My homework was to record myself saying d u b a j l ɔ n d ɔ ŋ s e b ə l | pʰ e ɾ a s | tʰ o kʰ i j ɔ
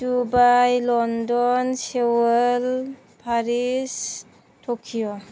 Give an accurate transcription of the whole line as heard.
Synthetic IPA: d u b a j l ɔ n d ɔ n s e w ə l | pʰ a ɾ i s | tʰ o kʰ i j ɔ